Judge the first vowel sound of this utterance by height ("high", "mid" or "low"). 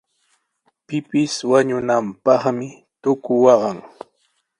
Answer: high